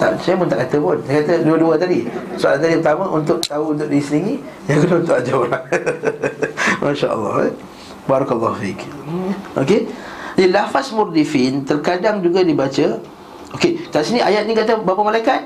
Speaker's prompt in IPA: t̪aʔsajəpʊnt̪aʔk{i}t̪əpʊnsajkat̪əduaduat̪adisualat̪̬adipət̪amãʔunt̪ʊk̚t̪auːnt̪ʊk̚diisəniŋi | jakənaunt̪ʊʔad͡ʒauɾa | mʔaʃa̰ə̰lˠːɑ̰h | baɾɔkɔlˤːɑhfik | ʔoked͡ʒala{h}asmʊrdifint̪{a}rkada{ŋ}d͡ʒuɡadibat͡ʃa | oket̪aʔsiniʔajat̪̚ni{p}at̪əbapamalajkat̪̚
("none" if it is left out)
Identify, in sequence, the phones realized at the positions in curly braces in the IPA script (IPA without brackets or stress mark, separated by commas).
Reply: a, f, ə, ŋ, k